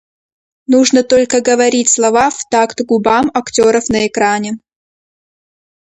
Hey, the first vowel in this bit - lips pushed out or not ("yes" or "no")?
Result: yes